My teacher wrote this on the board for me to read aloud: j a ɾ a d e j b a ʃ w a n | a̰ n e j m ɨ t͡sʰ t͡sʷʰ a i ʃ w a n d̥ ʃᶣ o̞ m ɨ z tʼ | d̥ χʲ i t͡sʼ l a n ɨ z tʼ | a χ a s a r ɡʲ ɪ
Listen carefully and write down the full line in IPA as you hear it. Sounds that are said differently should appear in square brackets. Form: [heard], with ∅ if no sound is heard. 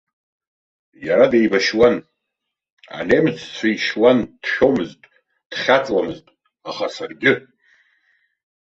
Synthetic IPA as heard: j a ɾ a d e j b a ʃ w a n | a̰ n e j m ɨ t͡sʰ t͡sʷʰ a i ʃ w a n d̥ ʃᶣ o̞ m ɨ z tʼ | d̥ χʲ [a] t͡sʼ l a [m] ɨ z tʼ | a χ a s a r ɡʲ ɪ

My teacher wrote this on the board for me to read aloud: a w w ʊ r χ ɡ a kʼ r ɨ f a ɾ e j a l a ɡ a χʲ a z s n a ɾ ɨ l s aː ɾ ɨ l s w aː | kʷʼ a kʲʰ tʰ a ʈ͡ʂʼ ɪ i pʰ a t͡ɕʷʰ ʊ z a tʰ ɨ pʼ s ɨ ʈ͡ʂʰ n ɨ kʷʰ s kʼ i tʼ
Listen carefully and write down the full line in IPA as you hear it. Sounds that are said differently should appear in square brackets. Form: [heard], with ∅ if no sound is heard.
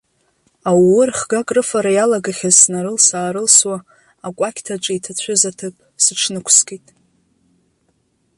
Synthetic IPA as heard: a w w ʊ r χ ɡ a kʼ r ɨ f a ɾ [a] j a l a ɡ a χʲ a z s n a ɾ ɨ l s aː ɾ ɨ l s w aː | kʷʼ a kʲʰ tʰ a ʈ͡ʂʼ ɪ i [tʰ] a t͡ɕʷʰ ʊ z a tʰ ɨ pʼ s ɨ ʈ͡ʂʰ n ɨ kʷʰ s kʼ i tʼ

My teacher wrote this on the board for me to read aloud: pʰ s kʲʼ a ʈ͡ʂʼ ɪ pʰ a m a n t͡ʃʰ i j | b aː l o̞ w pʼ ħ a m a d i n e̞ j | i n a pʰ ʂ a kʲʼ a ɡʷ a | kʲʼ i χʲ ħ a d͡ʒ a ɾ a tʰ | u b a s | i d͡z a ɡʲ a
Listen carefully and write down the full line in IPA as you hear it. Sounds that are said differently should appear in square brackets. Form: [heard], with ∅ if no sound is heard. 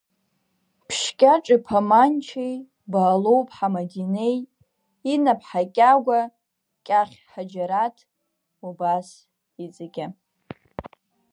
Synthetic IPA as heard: pʰ [ʃ] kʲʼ a ʈ͡ʂʼ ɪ pʰ a m a n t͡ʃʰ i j | b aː l o̞ w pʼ ħ a m a d i n e̞ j | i n a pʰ [ħ] a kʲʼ a ɡʷ a | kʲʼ [a] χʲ ħ a d͡ʒ a ɾ a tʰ | u b a s | i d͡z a ɡʲ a

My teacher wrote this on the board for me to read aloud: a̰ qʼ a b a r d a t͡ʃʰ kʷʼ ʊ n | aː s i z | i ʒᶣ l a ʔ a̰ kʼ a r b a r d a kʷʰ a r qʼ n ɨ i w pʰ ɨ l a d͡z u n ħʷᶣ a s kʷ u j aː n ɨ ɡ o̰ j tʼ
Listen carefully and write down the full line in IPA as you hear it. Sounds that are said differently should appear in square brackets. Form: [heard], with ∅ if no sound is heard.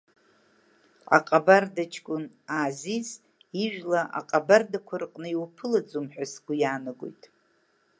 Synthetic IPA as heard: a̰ qʼ a b a r d a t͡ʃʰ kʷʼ ʊ n | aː [z] i z | i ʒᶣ l a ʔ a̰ [qʼ] a [∅] b a r d a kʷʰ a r qʼ n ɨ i w pʰ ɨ l a d͡z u [m] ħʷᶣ a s [ɡʷ] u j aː n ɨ ɡ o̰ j tʼ

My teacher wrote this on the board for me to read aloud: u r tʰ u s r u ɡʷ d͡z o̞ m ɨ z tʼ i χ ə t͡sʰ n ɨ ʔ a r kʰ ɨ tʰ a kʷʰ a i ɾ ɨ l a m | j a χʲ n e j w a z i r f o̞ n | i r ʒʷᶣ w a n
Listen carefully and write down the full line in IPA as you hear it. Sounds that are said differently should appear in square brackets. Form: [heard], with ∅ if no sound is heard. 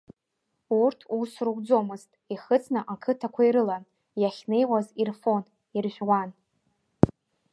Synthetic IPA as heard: u r tʰ u s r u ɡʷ d͡z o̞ m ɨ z tʼ i χ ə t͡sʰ n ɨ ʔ a [∅] kʰ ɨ tʰ a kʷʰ a i ɾ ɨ l a [n] | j a χʲ n e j w a z i r f o̞ n | i r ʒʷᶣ w a n

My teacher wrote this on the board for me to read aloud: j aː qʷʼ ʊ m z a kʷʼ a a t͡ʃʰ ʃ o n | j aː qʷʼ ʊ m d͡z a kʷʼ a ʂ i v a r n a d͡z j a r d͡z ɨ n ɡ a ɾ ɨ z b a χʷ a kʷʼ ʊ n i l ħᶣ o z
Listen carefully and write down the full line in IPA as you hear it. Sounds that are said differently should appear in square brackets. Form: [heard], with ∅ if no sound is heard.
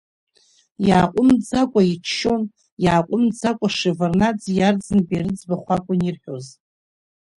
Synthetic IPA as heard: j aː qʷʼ ʊ m [d͡z] a kʷʼ a [i] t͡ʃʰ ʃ o n | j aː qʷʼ ʊ m d͡z a kʷʼ a ʂ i v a r n a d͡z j a r d͡z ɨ n [b] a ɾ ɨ [d͡z] b a χʷ a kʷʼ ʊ n i [r] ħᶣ o z

